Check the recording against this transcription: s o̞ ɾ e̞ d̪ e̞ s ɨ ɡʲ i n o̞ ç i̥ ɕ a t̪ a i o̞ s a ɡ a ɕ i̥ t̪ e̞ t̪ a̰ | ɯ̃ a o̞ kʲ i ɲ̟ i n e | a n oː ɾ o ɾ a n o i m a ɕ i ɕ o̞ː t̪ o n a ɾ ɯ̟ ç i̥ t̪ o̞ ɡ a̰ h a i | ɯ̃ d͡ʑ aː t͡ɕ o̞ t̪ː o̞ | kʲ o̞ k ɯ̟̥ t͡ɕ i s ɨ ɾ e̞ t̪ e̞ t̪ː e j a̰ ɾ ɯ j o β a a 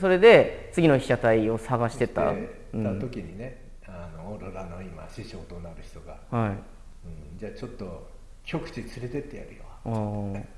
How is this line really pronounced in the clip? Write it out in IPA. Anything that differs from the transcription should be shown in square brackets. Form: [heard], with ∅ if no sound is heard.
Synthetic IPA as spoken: s o̞ ɾ e̞ d̪ e̞ [t͡s] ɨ ɡʲ i n o̞ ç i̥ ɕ a t̪ a i o̞ s a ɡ a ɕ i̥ t̪ e̞ t̪ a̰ | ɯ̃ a o̞ kʲ i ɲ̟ i n e | a n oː ɾ o ɾ a n o i m a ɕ i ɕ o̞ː t̪ o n a ɾ ɯ̟ ç i̥ t̪ o̞ ɡ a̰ h a i | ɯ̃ d͡ʑ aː t͡ɕ o̞ t̪ː o̞ | kʲ o̞ k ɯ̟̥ t͡ɕ i [t͡s] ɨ ɾ e̞ t̪ e̞ t̪ː e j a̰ ɾ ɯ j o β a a